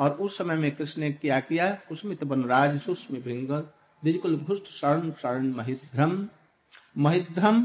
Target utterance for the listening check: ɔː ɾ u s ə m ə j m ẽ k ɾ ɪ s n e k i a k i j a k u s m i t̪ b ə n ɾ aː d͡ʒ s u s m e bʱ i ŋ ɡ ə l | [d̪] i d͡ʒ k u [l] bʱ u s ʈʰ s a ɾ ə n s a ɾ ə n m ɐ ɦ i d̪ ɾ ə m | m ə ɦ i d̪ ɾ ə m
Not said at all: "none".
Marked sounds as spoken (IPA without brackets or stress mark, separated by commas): d̪, l